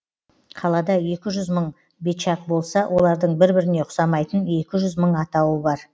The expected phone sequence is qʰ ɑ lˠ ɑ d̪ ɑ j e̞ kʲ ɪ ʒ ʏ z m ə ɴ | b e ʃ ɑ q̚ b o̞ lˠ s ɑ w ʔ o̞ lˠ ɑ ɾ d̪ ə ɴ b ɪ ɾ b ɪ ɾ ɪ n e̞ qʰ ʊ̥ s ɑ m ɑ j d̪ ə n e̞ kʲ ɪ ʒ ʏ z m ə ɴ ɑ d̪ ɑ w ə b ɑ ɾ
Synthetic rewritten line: qʰ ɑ lˠ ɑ d̪ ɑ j e̞ kʲ ɪ ʒ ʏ z m ə ɴ | b e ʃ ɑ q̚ b o̞ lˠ s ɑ w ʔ o̞ lˠ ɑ ɾ d̪ ə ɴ b ɪ ɾ b ɪ ɾ ɪ n e̞ qʰ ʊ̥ s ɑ m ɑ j t̪ ə n e̞ kʲ ɪ ʒ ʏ z m ə ɴ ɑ t̪ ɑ w ə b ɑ ɾ